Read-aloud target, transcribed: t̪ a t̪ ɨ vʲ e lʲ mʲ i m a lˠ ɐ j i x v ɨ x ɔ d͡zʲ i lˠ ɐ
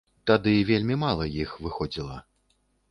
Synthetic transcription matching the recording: t̪ a d̪ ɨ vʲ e lʲ mʲ i m a lˠ ɐ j i x v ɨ x ɔ d͡zʲ i lˠ ɐ